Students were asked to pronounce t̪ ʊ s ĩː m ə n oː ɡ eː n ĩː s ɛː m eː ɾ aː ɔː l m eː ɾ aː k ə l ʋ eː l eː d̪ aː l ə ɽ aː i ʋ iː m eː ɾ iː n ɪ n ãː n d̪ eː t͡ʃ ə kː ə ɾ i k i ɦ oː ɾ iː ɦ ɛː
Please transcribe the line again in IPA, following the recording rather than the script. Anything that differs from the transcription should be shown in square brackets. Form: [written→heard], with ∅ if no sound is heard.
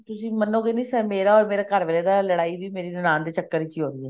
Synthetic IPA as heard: t̪ ʊ s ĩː m ə n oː ɡ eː n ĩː s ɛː m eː ɾ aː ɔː [l→ɾ] m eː ɾ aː k ə [l→ɾ] ʋ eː l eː d̪ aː l ə ɽ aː i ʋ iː m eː ɾ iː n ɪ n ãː n d̪ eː t͡ʃ ə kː ə ɾ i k i ɦ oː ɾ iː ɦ ɛː